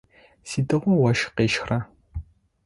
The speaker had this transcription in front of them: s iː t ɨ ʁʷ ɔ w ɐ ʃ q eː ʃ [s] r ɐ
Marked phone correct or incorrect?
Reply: incorrect